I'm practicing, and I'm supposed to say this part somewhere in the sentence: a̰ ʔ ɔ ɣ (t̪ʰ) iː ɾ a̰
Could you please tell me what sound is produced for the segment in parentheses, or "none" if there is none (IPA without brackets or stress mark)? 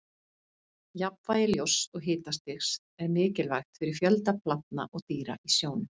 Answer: t̪